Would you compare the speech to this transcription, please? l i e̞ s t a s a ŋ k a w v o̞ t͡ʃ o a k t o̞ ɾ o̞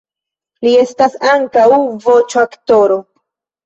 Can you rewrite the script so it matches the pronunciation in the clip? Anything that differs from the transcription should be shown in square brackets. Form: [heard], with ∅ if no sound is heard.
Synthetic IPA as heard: l i e̞ s t a s a ŋ k a w v o̞ t͡ʃ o a k t o̞ ɾ o̞